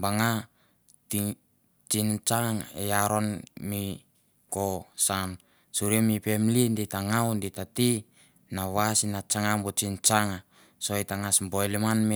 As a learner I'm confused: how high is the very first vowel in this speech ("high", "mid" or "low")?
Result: low